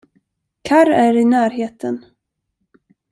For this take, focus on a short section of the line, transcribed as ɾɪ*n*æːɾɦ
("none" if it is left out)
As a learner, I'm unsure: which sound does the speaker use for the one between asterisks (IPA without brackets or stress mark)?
n